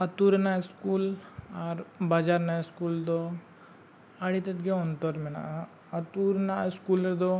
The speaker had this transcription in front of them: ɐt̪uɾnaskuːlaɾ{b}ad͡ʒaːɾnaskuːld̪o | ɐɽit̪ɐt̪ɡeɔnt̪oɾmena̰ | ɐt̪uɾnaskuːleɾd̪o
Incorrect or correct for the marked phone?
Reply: correct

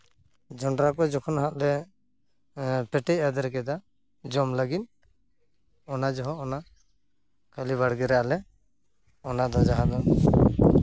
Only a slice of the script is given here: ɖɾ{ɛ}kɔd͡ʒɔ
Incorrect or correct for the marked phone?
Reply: incorrect: a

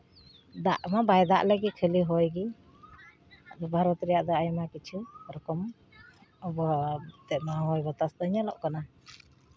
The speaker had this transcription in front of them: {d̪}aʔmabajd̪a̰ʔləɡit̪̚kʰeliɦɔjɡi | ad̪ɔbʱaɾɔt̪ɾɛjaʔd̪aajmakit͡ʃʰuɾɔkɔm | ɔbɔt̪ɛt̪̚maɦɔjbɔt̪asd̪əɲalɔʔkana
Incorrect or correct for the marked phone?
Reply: correct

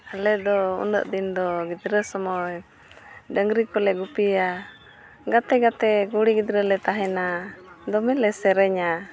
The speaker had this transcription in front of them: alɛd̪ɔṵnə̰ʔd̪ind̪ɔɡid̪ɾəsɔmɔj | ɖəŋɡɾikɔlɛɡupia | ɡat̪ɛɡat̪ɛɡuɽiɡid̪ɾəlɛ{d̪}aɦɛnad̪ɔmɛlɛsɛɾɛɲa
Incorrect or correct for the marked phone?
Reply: incorrect: t̪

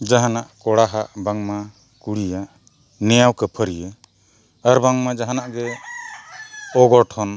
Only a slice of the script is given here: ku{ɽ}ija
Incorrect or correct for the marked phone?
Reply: correct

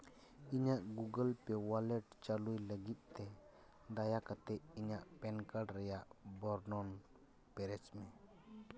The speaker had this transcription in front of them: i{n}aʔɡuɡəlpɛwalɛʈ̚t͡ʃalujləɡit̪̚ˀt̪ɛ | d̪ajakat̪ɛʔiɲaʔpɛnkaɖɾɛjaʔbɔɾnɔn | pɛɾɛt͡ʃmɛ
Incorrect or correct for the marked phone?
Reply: incorrect: ɲ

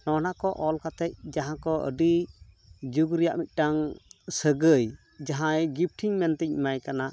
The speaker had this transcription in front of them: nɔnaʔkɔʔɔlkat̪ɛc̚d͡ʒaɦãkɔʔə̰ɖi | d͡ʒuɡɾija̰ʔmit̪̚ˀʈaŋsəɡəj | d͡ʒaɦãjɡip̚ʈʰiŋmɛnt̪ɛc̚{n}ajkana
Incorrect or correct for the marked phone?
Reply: incorrect: m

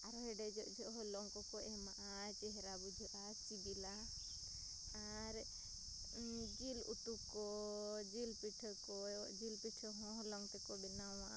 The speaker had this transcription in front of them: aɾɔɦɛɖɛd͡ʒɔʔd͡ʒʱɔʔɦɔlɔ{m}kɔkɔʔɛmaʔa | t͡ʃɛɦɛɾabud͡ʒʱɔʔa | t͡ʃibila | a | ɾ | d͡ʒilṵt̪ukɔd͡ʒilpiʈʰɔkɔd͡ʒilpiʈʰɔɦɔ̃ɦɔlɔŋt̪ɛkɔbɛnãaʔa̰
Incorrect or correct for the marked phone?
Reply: incorrect: ŋ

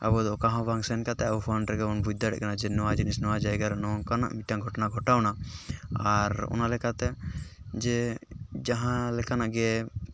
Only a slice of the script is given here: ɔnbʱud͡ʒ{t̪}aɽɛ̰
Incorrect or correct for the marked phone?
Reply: incorrect: d̪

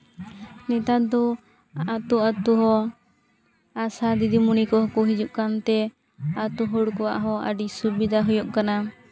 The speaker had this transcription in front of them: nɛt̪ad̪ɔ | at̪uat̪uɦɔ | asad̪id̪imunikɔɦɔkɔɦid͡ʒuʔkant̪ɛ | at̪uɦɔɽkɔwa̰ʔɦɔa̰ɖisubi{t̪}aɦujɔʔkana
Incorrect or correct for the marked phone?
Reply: incorrect: d̪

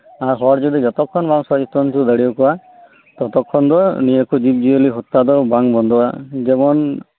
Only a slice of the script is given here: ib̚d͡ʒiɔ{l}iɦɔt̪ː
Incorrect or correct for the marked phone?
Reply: correct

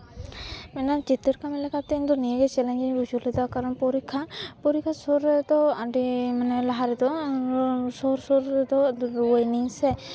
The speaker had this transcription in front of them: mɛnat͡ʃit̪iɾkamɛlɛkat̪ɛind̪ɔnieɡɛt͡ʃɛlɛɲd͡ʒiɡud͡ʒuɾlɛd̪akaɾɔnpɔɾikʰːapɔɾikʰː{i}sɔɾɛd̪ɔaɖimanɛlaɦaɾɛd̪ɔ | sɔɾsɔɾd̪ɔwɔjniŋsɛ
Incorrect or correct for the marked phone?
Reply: incorrect: a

